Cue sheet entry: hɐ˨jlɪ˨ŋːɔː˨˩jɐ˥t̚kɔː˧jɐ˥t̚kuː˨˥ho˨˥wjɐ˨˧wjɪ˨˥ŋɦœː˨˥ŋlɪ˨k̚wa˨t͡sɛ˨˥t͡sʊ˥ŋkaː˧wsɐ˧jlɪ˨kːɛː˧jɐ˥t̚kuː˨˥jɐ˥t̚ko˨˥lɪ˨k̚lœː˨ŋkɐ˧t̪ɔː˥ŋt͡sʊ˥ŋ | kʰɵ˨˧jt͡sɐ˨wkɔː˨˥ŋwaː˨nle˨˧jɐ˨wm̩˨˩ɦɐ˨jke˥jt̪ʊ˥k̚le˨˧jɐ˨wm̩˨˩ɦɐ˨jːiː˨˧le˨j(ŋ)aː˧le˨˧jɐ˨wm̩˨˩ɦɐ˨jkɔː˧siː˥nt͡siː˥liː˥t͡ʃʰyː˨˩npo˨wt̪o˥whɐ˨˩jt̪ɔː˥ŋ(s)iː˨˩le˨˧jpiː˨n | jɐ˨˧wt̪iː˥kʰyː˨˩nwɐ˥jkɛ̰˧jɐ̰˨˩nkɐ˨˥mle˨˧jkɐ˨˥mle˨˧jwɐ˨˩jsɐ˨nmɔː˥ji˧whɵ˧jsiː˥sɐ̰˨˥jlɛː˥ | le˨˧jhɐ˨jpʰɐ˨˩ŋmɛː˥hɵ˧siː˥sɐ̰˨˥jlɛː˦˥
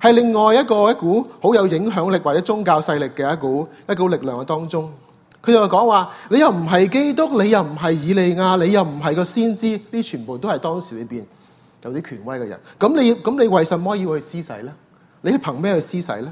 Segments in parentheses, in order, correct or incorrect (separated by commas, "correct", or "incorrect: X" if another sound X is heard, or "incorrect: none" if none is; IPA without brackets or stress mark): correct, correct